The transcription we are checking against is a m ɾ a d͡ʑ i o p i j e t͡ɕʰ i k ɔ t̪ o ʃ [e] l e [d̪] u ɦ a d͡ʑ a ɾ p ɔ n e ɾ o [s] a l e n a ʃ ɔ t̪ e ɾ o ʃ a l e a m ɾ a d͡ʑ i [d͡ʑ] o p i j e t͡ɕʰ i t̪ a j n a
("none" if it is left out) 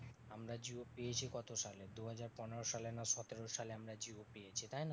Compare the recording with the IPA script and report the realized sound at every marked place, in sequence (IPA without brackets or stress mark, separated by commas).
a, d̪, ʃ, none